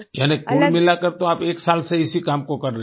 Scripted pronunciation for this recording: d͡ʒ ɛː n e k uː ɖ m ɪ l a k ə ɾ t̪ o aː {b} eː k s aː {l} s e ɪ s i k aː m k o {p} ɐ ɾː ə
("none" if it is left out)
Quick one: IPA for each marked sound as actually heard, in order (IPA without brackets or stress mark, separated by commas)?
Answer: p, l, k